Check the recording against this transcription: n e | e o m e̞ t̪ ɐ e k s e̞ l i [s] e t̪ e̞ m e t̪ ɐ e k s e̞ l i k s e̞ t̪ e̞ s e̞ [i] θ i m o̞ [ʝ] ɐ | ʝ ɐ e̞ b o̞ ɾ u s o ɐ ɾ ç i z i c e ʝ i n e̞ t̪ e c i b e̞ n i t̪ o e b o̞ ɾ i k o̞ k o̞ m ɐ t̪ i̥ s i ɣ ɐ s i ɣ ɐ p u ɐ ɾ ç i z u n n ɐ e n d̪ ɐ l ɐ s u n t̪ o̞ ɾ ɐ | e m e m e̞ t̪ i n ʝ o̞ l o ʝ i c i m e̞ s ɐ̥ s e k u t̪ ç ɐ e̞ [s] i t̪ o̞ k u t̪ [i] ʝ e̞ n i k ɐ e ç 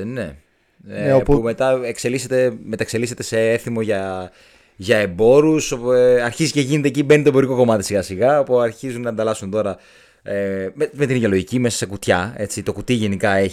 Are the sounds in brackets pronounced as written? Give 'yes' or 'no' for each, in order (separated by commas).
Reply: yes, no, yes, no, yes